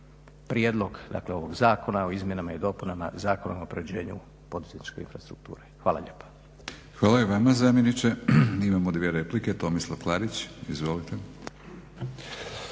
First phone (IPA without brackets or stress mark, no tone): p